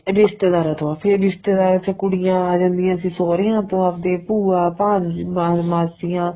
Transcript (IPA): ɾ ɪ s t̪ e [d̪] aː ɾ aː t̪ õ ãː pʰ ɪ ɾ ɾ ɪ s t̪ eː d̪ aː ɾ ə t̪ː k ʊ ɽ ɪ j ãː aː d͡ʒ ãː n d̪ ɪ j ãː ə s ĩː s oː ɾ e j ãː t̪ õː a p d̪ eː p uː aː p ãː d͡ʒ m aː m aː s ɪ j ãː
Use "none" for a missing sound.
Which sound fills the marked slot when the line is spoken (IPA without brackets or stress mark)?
d̪